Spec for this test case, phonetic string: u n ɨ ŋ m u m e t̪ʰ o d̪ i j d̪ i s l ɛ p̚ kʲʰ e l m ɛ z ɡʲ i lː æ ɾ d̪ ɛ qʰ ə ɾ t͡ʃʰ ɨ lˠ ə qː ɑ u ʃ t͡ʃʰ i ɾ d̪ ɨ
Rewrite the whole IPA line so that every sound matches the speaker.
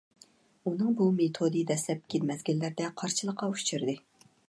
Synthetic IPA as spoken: u n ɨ ŋ b u m e t̪ʰ o d̪ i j d̪ ɛ s l ɛ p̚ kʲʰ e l m ɛ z ɡʲ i lː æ ɾ d̪ ɛ qʰ ɑ ɾ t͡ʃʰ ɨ lˠ ə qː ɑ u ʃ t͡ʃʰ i ɾ d̪ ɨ